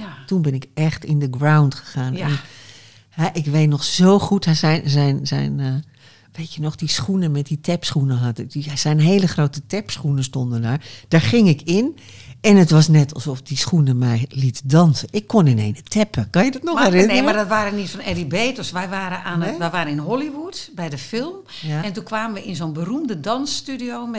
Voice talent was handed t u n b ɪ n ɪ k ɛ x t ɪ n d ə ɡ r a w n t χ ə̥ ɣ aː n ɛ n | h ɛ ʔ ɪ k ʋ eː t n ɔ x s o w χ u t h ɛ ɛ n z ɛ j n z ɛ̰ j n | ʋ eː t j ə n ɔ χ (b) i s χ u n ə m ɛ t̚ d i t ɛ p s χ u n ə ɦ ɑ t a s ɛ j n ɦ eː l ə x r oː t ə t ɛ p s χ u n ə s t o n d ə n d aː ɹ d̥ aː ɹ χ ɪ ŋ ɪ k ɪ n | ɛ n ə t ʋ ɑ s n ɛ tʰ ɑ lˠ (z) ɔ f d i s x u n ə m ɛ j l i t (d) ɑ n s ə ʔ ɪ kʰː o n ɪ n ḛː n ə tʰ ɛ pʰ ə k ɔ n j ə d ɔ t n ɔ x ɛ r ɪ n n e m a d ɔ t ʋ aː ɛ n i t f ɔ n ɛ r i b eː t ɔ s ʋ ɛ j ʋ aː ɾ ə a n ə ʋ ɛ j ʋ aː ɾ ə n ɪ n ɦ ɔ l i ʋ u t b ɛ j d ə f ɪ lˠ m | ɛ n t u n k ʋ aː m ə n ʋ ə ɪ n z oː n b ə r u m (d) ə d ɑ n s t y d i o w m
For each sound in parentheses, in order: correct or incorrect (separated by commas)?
incorrect, incorrect, correct, correct